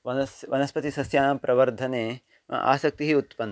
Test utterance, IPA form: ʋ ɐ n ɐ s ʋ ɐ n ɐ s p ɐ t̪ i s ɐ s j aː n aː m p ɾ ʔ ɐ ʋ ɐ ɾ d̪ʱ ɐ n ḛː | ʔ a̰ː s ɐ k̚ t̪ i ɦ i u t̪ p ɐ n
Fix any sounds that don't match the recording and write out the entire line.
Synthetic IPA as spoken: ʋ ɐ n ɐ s ʋ ɐ n ɐ s p ɐ t̪ i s ɐ s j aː n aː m p ɾ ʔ ɐ ʋ ɐ ɾ d̪ʱ ɐ n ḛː | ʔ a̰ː s ɐ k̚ t̪ i ɦ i u t̪ p ɐ n